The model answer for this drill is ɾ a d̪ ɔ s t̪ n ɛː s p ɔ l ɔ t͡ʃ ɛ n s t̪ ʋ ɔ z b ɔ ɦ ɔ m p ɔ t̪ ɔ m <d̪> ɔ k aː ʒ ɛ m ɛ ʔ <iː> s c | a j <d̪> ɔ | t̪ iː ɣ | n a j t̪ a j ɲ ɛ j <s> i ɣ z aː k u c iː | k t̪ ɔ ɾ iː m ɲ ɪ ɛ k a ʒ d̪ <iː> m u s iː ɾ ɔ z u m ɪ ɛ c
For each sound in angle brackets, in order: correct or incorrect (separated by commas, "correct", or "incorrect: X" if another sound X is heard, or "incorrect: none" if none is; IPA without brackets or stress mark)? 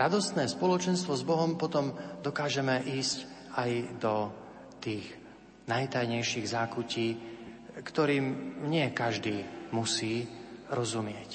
correct, correct, correct, incorrect: ʃ, correct